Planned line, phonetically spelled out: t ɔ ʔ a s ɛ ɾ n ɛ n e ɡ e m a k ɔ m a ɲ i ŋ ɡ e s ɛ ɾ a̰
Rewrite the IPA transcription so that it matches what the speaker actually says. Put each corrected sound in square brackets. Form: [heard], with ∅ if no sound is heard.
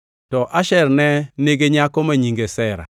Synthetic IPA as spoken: t ɔ ʔ a [ʃ] ɛ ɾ n ɛ n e ɡ e [ɲ] a k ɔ m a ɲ i ŋ ɡ e s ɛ ɾ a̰

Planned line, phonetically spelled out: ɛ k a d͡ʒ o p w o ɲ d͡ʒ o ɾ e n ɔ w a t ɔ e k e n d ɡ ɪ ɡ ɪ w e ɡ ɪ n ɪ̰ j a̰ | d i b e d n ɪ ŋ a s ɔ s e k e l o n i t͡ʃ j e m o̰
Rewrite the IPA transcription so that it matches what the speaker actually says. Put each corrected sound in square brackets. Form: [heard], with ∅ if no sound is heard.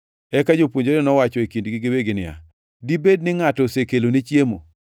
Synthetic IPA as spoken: ɛ k a d͡ʒ o p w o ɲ d͡ʒ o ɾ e n ɔ w a [t͡ʃ] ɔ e k [i] n d ɡ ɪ ɡ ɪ w e ɡ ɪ n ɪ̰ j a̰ | d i b e d n ɪ ŋ a [t] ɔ s e k e l o n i t͡ʃ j e m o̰

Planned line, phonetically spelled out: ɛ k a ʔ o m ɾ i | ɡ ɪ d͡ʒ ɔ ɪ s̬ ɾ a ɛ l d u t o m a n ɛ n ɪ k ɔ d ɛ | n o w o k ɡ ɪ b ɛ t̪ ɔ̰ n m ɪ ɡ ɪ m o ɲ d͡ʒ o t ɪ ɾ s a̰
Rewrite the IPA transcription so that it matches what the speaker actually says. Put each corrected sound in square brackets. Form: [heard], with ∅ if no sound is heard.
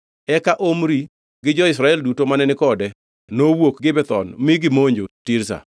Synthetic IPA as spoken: ɛ k a ʔ o m ɾ i | ɡ ɪ d͡ʒ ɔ ɪ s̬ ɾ a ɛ l d u t o m a n ɛ n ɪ k ɔ d ɛ | n o w o k ɡ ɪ b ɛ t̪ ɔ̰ n m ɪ ɡ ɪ m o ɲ d͡ʒ o t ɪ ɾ s a̰

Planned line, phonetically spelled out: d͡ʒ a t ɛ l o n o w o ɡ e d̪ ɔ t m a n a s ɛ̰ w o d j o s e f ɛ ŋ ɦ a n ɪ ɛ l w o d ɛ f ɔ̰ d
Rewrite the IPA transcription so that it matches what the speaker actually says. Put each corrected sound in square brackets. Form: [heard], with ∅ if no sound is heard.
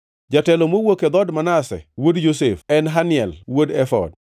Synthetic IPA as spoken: d͡ʒ a t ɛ l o [m] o w o [k] e d̪ ɔ [d] m a n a s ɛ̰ w o d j o s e f ɛ [n] ɦ a n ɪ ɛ l w o d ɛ f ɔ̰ d

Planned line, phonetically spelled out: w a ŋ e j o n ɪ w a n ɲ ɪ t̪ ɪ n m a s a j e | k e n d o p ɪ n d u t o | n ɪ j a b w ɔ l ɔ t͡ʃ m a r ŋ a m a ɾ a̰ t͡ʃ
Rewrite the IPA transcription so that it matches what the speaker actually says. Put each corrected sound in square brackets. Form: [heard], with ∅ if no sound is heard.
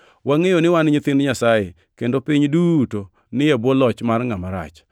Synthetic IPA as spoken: w a ŋ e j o n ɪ w a n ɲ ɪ t̪ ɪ n [ɲ] a s a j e | k e n d o p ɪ [ɲ] d u t o | n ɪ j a b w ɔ l ɔ t͡ʃ m a r ŋ a m a ɾ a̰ t͡ʃ

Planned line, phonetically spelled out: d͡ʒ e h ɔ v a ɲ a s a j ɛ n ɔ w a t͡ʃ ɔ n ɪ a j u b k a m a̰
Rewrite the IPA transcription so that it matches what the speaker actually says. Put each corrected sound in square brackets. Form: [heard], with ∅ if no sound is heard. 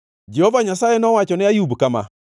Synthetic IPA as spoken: d͡ʒ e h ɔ v a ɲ a s a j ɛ n ɔ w a t͡ʃ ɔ n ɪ a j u b k a m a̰

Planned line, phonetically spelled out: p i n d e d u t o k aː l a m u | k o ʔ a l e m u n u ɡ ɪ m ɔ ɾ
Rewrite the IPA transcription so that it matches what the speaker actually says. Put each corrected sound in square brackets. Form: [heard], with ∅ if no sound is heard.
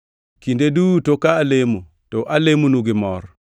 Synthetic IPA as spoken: [k] i n d e d u t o k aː l [e] m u | [t] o ʔ a l e m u n u ɡ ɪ m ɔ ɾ

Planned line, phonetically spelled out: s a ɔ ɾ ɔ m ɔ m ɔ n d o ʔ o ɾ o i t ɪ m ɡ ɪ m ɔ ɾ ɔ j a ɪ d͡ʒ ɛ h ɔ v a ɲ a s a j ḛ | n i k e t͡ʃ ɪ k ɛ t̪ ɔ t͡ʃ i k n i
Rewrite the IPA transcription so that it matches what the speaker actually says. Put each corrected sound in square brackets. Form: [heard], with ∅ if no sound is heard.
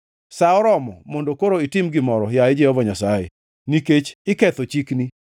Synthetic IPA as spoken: s a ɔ ɾ ɔ m ɔ m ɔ n d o [k] o ɾ o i t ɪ m ɡ ɪ m ɔ ɾ ɔ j a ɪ d͡ʒ ɛ h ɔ v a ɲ a s a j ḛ | n i k e t͡ʃ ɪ k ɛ t̪ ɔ t͡ʃ i k n i

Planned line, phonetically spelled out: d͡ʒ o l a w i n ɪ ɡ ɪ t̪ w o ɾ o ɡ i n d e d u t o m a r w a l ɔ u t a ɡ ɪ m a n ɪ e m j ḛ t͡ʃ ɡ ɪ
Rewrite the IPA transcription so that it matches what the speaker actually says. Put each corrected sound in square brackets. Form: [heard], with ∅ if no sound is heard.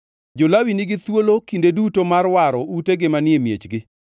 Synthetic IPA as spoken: d͡ʒ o l a w i n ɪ ɡ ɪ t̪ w o [l] o [k] i n d e d u t o m a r w a [ɾ] ɔ u t [e] ɡ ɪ m a n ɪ e m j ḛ t͡ʃ ɡ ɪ

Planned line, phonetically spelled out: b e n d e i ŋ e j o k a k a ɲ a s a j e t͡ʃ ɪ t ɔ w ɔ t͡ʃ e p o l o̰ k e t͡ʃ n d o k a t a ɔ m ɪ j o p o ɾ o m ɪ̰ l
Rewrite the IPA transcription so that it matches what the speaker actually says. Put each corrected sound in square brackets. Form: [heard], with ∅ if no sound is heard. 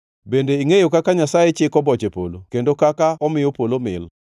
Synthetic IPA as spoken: b e n d e i ŋ e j o k a k a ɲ a s a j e t͡ʃ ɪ [k] ɔ [b] ɔ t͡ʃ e p o l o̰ k e [∅] n d o k a [k] a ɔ m ɪ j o p o [l] o m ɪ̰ l

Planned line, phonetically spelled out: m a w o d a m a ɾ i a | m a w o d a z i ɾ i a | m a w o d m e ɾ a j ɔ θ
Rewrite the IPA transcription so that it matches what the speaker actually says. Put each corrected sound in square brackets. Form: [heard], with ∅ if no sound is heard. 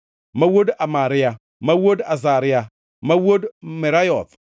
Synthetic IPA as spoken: m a w o d a m a ɾ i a | m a w o d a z [a] ɾ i a | m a w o d m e ɾ a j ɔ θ

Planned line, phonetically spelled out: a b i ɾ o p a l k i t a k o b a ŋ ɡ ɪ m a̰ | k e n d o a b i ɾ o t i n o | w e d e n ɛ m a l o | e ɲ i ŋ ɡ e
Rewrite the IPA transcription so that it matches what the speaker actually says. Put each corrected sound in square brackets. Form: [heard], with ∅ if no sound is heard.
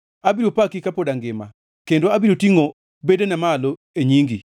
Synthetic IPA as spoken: a b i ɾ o p a [∅] k i [k] a [p] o [d] a ŋ ɡ ɪ m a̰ | k e n d o a b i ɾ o t i [ŋ] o | [b] e d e n ɛ m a l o | e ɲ i ŋ ɡ [i]

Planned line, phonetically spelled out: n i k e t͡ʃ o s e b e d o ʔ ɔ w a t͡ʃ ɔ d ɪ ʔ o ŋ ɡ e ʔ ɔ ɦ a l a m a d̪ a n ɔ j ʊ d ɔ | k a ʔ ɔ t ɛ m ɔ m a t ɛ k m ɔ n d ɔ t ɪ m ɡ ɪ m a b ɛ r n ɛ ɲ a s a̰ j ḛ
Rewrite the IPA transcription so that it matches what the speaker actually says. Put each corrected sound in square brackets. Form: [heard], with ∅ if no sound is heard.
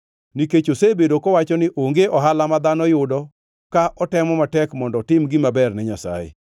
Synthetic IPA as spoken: n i k e t͡ʃ o s e b e d o [k] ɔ w a t͡ʃ ɔ [n] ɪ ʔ o ŋ ɡ e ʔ ɔ ɦ a l a m a d̪ a n ɔ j ʊ d ɔ | k a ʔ ɔ t ɛ m ɔ m a t ɛ k m ɔ n d ɔ t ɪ m ɡ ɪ m a b ɛ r n ɛ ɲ a s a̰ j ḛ

